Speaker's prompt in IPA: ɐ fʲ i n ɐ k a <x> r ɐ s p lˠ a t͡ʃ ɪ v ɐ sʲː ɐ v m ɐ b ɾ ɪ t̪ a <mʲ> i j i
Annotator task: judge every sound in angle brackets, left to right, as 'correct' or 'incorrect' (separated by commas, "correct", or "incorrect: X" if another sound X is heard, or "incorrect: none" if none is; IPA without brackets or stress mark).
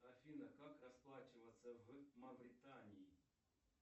incorrect: k, incorrect: nʲ